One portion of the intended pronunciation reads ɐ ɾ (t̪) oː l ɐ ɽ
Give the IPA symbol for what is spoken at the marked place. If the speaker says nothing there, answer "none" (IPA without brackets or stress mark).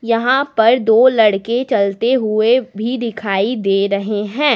d̪